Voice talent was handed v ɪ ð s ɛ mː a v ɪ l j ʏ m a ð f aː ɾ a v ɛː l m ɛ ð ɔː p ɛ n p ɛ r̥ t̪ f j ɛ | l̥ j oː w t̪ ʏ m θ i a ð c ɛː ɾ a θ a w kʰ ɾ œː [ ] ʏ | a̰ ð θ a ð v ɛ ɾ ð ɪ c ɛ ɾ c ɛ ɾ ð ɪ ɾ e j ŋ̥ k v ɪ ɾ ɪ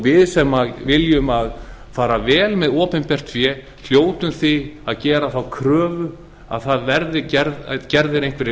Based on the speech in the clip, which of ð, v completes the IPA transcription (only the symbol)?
v